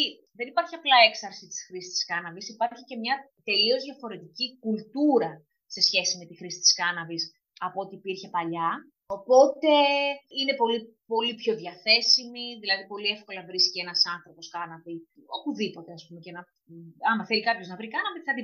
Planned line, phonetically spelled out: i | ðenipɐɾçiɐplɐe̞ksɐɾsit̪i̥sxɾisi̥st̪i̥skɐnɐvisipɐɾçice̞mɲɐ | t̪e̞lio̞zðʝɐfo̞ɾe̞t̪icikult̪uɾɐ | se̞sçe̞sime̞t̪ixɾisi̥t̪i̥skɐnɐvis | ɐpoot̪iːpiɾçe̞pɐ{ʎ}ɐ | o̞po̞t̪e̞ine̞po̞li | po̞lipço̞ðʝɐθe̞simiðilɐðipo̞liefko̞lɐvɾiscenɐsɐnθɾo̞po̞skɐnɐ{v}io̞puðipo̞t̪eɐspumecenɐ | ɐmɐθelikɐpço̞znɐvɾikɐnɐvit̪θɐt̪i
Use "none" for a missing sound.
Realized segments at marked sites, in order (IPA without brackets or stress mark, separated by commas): ʎ, v